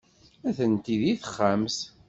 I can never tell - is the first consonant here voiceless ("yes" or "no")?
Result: yes